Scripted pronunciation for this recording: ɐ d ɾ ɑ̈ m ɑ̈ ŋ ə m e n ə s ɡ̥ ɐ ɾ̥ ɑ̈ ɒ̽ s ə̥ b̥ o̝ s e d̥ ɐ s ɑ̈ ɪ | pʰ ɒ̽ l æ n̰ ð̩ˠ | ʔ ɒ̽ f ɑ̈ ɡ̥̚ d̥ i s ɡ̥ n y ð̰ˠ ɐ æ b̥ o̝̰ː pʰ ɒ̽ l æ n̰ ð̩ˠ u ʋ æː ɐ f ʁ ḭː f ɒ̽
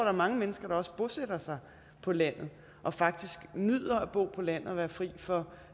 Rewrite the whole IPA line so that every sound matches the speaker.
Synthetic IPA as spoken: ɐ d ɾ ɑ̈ m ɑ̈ ŋ ə m e n ə s ɡ̥ ɐ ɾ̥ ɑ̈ ɒ̽ s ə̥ b̥ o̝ s e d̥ ɐ s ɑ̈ ɪ | pʰ ɒ̽ l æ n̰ ð̩ˠ | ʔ ɒ̽ f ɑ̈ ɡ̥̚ d̥ i s ɡ̥ n y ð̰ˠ ɐ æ b̥ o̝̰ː pʰ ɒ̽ l æ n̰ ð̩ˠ ɒ ʋ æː ɐ f ʁ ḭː f ɒ̽